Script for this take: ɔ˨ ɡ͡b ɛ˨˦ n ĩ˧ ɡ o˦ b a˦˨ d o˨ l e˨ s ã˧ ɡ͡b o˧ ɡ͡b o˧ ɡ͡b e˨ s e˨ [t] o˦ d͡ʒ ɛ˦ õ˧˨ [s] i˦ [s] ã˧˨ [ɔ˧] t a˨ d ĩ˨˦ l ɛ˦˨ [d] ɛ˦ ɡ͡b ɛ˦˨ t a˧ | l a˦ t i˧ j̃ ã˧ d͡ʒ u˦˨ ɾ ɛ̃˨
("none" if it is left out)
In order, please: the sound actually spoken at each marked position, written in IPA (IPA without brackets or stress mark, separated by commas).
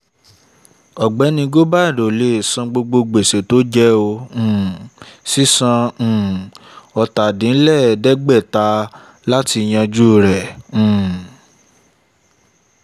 t, s, s, ɔ˧, d